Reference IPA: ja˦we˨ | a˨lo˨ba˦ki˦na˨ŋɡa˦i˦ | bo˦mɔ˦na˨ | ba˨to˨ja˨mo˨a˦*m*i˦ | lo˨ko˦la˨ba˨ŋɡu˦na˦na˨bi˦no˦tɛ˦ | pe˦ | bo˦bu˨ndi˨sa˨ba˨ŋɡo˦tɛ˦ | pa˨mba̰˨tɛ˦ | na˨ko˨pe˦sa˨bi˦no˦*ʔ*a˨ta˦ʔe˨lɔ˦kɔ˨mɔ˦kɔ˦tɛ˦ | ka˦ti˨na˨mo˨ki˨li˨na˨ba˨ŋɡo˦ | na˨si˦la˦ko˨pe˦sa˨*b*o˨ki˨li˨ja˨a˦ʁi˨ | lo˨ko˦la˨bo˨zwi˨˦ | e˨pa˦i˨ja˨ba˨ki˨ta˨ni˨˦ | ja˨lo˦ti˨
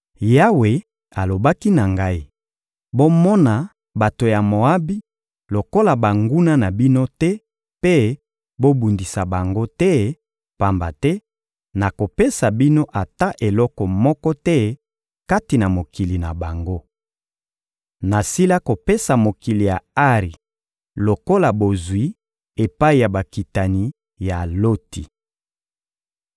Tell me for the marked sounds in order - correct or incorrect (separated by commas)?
incorrect, correct, incorrect